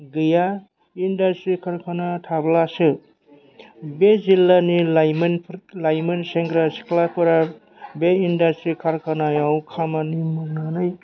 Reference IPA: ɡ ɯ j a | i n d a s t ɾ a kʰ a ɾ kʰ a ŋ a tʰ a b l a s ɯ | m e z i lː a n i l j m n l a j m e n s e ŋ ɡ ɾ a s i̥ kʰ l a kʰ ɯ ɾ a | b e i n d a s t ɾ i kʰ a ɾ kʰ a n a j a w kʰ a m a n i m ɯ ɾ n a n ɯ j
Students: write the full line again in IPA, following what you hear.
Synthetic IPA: ɡ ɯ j a | i n d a s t ɾ i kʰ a ɾ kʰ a n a tʰ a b l a s ɯ | b e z i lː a n i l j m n l a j m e n s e ŋ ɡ ɾ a s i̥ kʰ l a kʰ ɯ ɾ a | b e i n d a s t ɾ i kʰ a ɾ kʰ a n a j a w kʰ a m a n i m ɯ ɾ n a n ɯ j